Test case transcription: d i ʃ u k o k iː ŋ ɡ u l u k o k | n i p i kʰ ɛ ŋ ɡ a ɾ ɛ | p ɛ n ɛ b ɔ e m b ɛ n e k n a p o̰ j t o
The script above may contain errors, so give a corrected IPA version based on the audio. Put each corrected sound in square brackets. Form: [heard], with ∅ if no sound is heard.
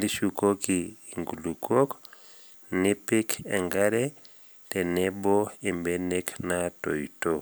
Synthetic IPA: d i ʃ u k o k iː ŋ ɡ u l u k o k | n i p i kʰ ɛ ŋ ɡ a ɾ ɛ | [t] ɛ n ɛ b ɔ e m b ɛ n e k n a [t] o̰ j t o